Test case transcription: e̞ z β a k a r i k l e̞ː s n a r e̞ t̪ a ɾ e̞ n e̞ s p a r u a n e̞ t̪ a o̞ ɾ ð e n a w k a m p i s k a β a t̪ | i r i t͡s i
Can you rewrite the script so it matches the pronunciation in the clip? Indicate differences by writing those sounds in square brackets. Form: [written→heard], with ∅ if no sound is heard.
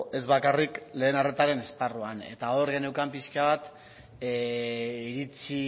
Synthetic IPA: e̞ z β a k a r i k l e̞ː [s→∅] n a r e̞ t̪ a ɾ e̞ n e̞ s p a r u a n e̞ t̪ a o̞ ɾ [ð→ɣ] e n [a→e] w k a m p i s k a β a t̪ | i [r→ɾ] i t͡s i